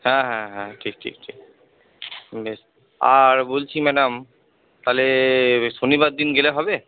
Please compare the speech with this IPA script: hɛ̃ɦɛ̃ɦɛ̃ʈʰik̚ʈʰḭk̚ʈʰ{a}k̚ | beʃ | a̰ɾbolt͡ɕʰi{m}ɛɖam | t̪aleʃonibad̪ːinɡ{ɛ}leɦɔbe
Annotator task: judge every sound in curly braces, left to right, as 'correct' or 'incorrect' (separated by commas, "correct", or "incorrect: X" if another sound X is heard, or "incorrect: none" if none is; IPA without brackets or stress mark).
incorrect: i, correct, incorrect: e